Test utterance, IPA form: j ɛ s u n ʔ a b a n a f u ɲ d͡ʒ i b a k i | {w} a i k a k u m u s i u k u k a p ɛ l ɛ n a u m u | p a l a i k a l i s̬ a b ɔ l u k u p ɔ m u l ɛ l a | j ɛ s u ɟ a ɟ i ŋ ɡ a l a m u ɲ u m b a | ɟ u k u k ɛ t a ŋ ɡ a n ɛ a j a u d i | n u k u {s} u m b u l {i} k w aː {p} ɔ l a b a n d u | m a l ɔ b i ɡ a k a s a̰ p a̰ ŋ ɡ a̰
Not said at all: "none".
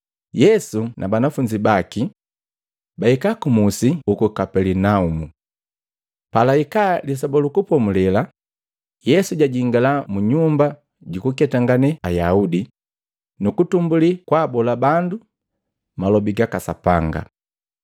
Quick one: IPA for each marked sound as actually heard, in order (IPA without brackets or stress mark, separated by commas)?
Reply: b, t, i, b